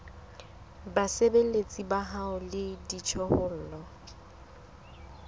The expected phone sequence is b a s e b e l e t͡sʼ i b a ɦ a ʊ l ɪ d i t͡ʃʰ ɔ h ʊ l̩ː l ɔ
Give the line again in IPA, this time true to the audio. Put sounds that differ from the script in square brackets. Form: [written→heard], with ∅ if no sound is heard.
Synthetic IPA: b a s e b e l e t͡sʼ i b a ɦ a ʊ l ɪ d i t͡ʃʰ ɔ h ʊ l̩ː l ɔ